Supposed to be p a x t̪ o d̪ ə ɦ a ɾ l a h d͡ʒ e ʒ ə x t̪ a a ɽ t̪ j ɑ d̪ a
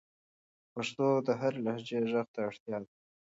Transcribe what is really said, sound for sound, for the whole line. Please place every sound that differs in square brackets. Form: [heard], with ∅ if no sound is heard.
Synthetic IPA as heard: p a [ʂ] t̪ o d̪ ə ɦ a ɾ l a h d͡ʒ e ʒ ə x t̪ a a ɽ t̪ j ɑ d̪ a